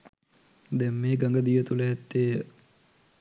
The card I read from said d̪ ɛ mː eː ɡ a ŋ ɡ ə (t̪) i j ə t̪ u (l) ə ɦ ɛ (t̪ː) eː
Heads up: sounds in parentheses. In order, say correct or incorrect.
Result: incorrect: d̪, correct, correct

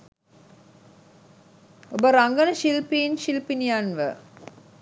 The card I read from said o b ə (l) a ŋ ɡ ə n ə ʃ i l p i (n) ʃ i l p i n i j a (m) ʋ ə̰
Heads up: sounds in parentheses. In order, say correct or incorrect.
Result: incorrect: ɾ, correct, incorrect: n

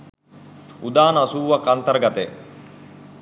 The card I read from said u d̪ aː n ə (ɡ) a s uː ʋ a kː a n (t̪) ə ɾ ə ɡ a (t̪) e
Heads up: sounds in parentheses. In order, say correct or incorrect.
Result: incorrect: none, correct, correct

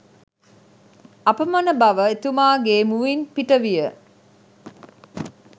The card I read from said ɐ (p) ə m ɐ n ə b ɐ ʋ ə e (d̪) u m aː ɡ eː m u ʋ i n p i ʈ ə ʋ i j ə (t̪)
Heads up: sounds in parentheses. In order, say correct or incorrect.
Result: correct, incorrect: t̪, incorrect: none

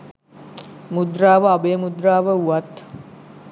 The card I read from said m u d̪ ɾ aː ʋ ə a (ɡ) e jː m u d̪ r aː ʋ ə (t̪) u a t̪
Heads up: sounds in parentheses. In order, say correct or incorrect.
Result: incorrect: b, incorrect: none

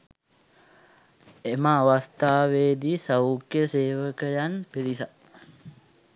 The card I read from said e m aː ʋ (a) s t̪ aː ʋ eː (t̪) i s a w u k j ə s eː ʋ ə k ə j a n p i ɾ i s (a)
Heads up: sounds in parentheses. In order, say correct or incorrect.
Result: correct, incorrect: d̪, correct

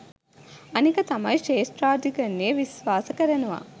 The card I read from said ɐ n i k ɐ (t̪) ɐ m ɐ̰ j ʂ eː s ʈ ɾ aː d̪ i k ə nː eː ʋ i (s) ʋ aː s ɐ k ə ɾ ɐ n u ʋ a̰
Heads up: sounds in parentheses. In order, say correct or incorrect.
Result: correct, correct

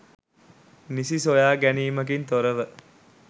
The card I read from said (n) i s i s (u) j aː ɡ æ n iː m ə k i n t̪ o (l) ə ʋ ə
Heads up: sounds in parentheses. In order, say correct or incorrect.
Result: correct, incorrect: o, incorrect: ɾ

